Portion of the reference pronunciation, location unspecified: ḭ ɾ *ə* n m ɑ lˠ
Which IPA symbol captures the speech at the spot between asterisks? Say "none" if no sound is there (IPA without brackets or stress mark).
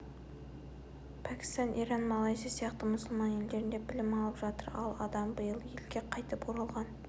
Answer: ɑ